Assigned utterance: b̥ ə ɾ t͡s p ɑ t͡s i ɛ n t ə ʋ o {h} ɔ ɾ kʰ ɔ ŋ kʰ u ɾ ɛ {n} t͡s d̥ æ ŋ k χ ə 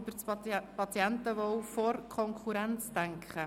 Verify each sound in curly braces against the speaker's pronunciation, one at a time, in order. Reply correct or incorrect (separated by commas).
incorrect, correct